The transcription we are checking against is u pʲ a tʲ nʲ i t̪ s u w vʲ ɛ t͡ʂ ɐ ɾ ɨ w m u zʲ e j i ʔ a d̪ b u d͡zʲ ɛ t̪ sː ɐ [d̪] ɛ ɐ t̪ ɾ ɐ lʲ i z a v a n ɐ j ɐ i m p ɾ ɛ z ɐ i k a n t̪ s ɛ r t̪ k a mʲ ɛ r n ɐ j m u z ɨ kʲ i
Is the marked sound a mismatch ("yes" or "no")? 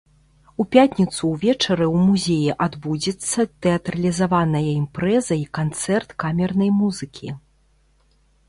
yes